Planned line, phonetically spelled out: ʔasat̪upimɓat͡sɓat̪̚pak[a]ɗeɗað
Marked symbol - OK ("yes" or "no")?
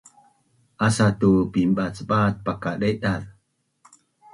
yes